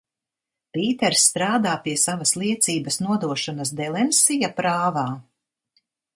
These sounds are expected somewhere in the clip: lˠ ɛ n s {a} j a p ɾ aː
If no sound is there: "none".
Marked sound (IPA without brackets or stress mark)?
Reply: i